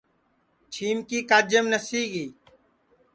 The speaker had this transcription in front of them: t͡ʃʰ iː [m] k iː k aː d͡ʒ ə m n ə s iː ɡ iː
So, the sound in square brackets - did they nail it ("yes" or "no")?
yes